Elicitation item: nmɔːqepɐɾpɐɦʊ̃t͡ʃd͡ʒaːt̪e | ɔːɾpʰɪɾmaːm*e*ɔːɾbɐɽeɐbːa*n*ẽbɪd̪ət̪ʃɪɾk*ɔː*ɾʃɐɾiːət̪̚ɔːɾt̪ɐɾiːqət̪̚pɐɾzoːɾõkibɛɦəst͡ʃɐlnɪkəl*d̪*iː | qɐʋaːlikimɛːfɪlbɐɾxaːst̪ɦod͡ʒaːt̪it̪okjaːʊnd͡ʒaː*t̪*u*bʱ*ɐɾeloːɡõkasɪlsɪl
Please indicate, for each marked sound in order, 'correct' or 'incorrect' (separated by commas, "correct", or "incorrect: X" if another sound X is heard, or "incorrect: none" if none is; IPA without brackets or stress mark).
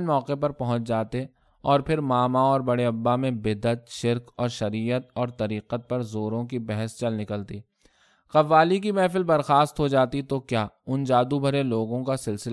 incorrect: a, incorrect: m, correct, incorrect: t̪, incorrect: d̪, correct